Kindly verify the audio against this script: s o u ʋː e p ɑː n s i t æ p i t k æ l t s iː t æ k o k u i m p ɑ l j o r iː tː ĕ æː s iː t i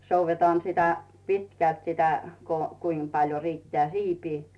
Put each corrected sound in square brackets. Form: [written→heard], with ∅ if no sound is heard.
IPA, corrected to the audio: s o u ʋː e [p→t] ɑː n s i t æ p i t k æ l t s [iː→i] t æ k o k u i m p ɑ l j o r iː tː ĕ æː s iː [t→p] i